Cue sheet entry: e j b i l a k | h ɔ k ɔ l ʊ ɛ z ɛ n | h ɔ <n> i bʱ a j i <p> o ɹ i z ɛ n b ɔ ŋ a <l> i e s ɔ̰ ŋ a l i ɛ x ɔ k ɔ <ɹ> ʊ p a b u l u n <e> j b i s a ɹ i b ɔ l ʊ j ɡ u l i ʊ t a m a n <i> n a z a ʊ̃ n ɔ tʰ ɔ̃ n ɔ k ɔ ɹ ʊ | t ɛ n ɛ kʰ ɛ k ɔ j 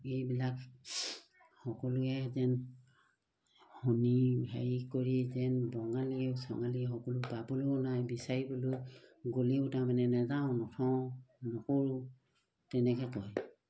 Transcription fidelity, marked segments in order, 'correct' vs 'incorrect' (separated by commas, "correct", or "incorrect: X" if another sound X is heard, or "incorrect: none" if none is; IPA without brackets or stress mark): correct, incorrect: k, correct, incorrect: l, incorrect: a, incorrect: ɛ